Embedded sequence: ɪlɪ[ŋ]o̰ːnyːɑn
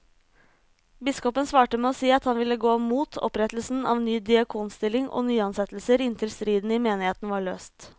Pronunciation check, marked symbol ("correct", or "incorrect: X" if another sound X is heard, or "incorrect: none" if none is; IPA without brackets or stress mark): correct